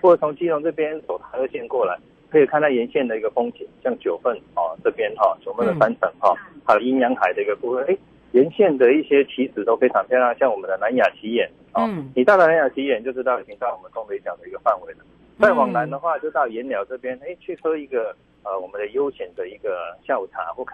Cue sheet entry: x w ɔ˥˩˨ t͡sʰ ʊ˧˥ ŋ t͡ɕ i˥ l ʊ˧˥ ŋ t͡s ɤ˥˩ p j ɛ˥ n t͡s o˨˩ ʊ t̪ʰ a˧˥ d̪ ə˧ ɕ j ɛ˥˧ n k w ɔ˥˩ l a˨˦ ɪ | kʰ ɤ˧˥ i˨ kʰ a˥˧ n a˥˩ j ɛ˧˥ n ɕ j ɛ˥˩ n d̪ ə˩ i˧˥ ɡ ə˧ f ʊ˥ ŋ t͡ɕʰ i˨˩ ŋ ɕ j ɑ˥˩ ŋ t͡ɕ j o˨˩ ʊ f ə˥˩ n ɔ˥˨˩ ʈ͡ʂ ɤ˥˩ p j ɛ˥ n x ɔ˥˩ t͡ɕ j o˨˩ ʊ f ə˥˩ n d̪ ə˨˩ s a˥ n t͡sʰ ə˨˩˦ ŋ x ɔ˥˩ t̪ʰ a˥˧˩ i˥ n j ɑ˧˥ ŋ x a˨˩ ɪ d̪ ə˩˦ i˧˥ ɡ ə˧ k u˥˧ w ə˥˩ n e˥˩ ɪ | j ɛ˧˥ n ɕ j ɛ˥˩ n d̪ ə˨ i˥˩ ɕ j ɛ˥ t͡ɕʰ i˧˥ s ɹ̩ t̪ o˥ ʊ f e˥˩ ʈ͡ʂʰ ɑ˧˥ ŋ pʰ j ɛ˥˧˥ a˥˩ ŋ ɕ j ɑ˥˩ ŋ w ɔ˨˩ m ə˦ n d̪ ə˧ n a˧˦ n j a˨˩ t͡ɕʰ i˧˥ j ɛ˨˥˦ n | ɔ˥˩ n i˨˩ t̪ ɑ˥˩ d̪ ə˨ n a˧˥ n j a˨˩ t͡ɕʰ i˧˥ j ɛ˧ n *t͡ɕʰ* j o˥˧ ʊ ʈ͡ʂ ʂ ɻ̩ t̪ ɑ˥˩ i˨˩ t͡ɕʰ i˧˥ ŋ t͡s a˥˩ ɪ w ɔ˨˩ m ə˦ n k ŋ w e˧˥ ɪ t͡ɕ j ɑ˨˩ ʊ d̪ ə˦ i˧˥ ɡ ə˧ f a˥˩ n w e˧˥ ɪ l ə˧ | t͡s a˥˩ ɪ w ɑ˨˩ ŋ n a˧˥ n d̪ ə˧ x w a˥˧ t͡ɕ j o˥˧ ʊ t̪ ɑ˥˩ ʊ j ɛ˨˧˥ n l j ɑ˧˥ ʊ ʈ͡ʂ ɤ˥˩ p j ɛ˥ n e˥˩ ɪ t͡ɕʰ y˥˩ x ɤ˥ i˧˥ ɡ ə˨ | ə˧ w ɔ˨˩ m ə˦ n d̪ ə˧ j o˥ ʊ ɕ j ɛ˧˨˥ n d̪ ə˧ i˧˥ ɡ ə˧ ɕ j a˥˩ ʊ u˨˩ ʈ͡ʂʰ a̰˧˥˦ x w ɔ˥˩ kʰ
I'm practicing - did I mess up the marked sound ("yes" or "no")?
yes